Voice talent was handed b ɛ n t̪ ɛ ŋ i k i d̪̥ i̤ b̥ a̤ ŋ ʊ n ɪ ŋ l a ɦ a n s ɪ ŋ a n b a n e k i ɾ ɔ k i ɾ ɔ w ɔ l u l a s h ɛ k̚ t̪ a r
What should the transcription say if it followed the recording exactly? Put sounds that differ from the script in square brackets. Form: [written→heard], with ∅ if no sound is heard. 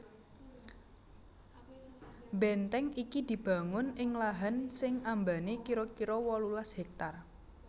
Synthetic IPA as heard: b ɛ n t̪ ɛ ŋ i k i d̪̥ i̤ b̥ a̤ ŋ ʊ n ɪ ŋ l a ɦ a n s ɪ ŋ a [n→m] b a n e k i ɾ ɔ k i ɾ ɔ w ɔ l u l a s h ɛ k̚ t̪ a r